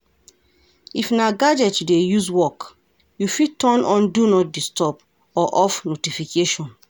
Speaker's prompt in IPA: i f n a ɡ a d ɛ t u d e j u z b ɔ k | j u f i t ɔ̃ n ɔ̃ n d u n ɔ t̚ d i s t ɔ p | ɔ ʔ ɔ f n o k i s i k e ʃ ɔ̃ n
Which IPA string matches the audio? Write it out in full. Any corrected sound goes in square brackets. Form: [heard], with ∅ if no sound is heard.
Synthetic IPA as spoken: i f n a ɡ a [d͡ʒ] ɛ t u d e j u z [w] ɔ k | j u f i t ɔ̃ n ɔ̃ n d u n ɔ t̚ d i s t ɔ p | ɔ ʔ ɔ f n o [t] i [f] i k e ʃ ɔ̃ n